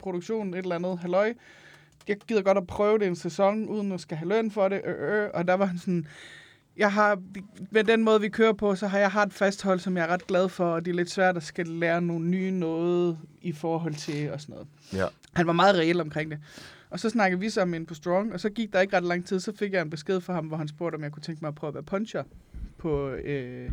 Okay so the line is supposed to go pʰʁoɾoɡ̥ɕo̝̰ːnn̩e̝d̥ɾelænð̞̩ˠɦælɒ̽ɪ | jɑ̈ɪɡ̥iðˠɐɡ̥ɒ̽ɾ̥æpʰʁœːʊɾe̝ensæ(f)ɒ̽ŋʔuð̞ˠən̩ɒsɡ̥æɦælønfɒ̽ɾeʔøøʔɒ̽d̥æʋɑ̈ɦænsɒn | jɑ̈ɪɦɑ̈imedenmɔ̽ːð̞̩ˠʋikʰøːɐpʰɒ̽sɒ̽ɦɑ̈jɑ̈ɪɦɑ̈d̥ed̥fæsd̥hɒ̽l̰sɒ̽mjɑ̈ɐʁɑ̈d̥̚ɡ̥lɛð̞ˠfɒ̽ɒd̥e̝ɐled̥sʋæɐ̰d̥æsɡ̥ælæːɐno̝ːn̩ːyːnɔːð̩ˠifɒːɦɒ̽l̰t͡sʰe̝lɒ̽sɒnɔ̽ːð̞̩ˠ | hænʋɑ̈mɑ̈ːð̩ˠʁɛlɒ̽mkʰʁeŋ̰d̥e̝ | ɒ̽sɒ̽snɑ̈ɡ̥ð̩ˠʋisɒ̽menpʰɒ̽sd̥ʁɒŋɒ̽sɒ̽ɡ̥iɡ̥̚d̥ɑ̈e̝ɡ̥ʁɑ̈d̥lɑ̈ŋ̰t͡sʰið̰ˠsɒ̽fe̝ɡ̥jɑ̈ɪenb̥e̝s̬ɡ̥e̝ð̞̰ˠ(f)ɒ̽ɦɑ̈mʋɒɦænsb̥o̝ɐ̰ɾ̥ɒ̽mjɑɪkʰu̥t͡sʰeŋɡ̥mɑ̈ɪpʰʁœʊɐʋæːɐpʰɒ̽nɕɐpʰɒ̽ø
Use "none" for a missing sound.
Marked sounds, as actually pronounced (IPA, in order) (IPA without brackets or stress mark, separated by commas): s, f